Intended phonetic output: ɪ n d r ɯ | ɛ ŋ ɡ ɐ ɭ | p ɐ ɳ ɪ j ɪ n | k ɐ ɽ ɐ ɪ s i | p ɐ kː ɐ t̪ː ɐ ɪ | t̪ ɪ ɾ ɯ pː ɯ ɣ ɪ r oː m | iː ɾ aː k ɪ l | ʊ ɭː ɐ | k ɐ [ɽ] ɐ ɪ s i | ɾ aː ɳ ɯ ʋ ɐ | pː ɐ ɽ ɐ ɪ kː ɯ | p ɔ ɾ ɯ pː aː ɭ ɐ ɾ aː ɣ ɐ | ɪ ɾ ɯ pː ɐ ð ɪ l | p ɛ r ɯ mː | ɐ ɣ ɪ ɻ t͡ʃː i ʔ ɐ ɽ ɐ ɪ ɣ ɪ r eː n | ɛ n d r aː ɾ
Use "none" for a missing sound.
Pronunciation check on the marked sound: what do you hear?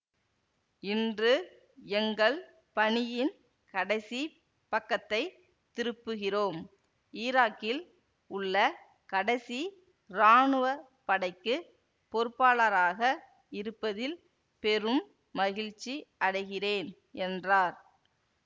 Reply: ɽ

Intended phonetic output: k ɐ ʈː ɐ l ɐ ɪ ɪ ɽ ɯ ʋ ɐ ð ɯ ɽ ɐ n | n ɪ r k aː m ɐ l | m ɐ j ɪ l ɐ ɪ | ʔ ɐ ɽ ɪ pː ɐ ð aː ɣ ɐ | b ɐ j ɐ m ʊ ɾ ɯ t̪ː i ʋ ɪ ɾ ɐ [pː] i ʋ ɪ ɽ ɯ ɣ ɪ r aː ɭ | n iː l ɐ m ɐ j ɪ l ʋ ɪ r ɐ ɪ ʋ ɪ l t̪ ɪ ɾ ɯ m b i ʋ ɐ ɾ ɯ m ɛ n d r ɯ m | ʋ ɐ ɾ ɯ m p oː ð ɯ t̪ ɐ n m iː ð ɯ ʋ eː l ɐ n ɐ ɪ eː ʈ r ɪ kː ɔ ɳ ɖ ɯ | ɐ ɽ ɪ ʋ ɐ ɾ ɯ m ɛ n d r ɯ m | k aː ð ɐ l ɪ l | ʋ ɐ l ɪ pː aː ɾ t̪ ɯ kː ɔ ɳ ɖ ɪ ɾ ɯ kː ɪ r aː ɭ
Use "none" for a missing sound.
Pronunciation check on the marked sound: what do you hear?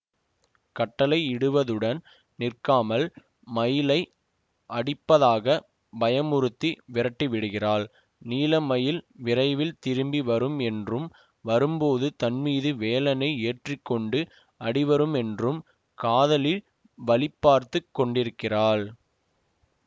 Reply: ʈː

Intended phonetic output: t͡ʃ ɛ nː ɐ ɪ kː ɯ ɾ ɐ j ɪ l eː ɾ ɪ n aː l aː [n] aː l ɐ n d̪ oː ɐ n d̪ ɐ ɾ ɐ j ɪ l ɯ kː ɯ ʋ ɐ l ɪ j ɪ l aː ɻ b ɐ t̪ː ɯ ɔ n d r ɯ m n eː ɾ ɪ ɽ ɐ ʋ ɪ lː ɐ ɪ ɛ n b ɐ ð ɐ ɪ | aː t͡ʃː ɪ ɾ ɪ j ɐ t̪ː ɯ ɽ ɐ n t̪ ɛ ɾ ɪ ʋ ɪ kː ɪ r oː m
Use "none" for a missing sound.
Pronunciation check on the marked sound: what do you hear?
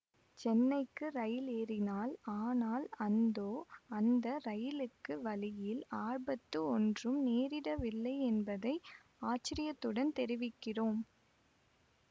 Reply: n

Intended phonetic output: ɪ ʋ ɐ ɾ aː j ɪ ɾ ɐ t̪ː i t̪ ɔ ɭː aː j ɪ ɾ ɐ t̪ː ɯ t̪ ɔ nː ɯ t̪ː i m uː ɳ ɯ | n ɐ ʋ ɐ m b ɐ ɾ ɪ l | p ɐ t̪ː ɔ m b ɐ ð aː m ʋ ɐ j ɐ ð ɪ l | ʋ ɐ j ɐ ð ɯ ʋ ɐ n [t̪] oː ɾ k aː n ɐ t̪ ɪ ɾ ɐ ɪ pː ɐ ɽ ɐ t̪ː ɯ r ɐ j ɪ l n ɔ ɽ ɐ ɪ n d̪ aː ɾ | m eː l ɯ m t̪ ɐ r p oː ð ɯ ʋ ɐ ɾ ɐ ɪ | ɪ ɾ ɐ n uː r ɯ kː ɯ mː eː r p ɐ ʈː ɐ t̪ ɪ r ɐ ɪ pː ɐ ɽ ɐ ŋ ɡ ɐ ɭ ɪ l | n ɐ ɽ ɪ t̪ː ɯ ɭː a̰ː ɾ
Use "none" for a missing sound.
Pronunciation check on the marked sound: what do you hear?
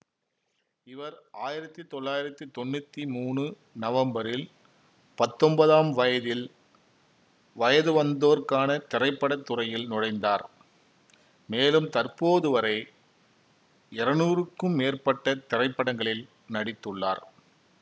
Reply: d̪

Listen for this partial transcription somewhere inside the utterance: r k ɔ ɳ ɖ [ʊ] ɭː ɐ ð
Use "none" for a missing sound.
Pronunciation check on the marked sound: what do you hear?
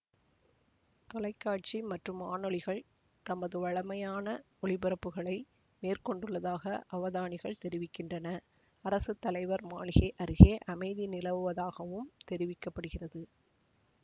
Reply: ɯ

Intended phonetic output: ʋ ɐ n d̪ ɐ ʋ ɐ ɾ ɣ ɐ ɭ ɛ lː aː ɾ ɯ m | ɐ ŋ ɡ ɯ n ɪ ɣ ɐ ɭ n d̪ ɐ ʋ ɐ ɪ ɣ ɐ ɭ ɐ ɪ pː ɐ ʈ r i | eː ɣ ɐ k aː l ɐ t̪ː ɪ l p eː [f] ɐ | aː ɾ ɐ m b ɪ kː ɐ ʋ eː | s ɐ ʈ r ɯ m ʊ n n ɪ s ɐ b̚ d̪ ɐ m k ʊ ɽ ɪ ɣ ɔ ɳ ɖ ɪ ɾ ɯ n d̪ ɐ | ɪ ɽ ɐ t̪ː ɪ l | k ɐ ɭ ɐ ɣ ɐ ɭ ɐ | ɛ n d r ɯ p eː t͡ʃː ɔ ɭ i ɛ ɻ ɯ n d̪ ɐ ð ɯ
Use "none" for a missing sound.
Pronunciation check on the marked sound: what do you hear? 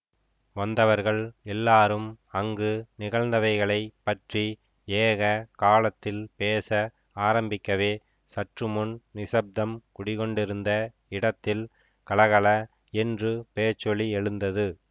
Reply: s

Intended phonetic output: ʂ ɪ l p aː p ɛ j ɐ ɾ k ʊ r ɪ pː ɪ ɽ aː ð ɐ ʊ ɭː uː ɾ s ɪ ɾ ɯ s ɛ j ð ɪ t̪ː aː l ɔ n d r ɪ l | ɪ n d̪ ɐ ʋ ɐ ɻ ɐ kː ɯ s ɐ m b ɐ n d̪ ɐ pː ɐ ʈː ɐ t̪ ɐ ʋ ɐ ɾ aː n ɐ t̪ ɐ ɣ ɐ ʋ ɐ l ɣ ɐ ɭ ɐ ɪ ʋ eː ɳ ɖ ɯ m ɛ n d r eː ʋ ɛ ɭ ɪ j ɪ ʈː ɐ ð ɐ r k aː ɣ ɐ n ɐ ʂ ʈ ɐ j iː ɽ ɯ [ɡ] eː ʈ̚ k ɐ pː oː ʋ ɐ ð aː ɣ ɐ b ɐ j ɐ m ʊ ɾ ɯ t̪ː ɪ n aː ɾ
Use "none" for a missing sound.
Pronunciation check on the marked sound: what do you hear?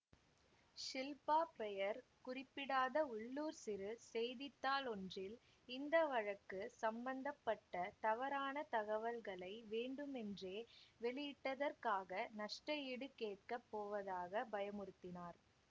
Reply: k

